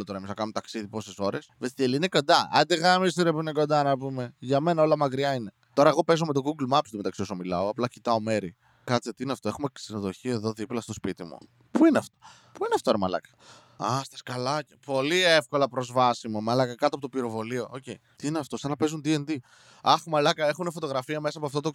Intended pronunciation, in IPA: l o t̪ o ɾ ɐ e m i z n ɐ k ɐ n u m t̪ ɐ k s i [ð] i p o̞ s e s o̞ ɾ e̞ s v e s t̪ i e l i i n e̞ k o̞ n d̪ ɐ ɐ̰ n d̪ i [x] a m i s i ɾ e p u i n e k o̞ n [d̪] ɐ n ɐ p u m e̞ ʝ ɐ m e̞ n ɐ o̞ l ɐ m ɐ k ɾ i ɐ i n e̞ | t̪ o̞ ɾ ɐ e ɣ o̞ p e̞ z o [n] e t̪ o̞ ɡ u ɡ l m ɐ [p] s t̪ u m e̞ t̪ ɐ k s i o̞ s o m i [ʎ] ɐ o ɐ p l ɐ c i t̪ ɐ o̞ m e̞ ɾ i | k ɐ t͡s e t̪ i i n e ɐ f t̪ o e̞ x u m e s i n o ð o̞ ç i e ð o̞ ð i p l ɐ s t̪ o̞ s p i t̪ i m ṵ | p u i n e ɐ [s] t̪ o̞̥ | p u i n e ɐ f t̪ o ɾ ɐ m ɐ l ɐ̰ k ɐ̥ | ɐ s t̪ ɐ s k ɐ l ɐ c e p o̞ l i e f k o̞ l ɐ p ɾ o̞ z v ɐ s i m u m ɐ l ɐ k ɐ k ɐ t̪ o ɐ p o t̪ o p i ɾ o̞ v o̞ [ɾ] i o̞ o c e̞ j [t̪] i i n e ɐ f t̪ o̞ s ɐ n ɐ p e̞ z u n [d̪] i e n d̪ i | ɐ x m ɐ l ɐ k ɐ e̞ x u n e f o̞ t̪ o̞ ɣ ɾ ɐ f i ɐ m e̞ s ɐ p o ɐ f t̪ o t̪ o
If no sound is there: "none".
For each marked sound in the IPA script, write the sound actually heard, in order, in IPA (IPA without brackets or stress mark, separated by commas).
ð, ɣ, d̪, m, p, l, f, l, t̪, d̪